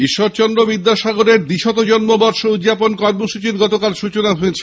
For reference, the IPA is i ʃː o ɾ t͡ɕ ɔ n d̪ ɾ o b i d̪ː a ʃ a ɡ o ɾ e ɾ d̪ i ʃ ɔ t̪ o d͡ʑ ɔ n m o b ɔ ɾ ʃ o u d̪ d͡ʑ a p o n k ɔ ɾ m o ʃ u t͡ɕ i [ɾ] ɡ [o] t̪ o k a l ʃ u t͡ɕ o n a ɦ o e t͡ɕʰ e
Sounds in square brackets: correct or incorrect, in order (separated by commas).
correct, incorrect